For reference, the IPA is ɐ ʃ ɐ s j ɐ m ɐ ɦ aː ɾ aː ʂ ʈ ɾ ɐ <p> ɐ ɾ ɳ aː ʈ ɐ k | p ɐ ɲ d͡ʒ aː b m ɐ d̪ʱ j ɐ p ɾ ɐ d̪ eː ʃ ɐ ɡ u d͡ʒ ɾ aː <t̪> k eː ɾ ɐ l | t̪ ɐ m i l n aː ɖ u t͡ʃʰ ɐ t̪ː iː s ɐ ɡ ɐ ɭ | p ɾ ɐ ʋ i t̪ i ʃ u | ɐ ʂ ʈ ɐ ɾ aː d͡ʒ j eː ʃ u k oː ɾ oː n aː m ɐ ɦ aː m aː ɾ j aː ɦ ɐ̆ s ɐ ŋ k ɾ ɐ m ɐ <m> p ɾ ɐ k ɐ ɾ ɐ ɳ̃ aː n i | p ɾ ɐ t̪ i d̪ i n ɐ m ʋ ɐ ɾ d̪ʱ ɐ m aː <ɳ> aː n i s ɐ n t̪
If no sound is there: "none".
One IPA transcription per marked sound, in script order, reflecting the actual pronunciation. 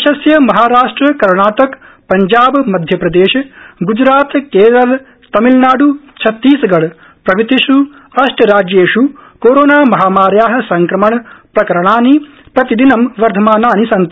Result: k, t̪, ɳ, n

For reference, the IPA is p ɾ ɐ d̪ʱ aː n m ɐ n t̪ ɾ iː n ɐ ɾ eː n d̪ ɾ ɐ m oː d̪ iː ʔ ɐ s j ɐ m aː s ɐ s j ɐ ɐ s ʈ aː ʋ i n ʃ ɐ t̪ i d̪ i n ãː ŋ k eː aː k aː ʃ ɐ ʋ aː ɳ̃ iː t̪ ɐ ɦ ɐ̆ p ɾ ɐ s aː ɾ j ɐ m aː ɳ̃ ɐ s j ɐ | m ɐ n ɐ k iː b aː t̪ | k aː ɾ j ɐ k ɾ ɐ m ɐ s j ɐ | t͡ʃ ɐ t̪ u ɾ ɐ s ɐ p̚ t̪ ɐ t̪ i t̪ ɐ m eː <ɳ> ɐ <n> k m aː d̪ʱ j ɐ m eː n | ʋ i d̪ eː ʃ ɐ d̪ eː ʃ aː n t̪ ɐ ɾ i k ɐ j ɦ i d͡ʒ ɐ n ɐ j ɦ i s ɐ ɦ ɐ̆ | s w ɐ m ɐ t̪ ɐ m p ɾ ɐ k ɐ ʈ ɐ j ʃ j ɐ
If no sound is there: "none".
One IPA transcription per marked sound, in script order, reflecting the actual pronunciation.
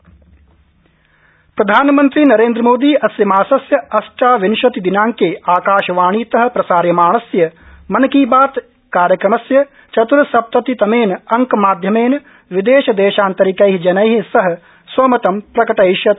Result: n, ŋ

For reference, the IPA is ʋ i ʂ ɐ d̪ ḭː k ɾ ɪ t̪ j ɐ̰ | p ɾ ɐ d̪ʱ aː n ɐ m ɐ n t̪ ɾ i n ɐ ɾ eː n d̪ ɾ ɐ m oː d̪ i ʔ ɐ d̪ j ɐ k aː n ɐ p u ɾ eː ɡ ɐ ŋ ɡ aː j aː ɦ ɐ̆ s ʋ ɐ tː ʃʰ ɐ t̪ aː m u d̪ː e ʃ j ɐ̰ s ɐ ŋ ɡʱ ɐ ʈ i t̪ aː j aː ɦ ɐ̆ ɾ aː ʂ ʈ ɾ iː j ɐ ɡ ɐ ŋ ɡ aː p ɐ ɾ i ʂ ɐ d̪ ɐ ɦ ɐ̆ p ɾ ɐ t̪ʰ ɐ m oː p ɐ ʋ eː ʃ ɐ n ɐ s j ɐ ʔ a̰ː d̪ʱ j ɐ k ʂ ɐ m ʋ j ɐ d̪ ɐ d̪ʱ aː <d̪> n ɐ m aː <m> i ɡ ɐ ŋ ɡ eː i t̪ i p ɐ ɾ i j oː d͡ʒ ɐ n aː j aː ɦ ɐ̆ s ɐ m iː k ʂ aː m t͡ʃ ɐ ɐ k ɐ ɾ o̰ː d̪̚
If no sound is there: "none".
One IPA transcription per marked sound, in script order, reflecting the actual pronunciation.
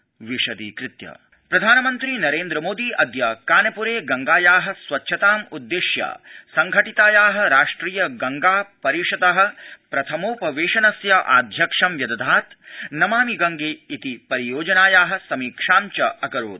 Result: t̪, m

